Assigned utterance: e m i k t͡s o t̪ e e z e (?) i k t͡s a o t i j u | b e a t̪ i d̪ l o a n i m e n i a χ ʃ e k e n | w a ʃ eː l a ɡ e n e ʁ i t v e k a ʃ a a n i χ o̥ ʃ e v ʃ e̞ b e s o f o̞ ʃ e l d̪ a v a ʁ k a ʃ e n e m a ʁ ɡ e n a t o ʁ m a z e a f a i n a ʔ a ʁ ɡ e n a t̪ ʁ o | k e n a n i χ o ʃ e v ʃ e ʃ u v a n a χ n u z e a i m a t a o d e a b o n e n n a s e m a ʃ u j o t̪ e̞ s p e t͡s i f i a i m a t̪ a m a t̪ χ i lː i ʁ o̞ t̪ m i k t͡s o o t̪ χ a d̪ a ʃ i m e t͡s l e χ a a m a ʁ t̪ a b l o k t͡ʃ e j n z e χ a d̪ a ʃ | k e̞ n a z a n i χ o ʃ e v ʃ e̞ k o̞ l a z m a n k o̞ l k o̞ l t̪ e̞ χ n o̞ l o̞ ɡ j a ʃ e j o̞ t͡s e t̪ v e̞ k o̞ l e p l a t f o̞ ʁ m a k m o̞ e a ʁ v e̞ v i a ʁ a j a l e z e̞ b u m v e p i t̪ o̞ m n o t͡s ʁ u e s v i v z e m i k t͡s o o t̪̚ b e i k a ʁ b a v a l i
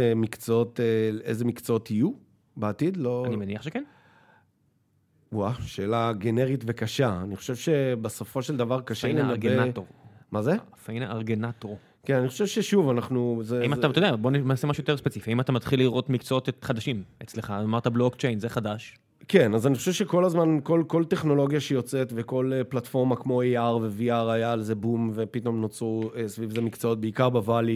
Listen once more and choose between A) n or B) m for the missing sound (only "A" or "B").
B